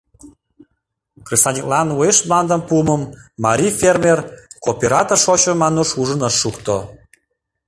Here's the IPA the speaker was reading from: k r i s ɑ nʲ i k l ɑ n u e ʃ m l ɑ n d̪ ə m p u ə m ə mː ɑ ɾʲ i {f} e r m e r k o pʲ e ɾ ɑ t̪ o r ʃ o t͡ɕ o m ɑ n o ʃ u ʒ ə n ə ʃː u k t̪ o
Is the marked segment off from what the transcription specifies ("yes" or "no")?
no